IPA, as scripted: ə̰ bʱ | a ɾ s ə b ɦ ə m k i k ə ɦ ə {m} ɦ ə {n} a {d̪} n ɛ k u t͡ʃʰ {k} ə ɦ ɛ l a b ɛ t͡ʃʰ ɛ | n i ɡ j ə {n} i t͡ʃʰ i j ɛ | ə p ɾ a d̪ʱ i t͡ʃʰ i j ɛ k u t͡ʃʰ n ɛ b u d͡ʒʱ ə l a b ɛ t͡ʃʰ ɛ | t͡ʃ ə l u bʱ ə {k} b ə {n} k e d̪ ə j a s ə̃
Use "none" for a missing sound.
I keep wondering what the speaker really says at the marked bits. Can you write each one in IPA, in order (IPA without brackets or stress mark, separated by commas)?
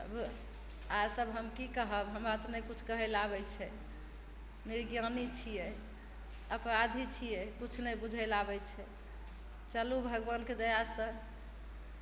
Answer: b, m, t̪, k, n, ɡ, n